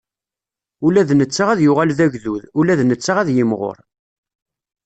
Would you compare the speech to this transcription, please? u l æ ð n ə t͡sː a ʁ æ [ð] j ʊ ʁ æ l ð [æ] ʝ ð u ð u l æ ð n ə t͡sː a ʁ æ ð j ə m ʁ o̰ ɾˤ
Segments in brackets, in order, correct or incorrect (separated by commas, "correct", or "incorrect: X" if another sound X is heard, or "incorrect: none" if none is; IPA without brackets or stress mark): correct, correct